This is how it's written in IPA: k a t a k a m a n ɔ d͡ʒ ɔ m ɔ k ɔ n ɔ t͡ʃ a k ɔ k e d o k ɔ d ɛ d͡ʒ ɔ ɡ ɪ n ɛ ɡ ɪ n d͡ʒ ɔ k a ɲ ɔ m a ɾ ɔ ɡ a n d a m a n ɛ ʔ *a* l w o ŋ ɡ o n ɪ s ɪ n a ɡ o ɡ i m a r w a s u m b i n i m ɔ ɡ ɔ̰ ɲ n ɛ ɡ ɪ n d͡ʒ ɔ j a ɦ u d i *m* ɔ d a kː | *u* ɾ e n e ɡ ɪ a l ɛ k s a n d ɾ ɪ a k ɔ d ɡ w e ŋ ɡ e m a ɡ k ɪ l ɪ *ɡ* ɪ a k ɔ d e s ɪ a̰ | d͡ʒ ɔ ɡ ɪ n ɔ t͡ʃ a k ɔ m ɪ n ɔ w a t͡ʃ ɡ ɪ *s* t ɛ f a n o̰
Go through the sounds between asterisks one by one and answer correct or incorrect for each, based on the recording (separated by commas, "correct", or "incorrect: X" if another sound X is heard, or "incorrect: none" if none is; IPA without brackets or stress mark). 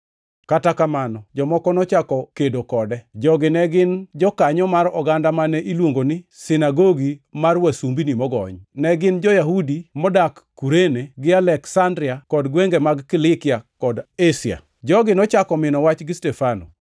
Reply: incorrect: i, correct, correct, incorrect: k, correct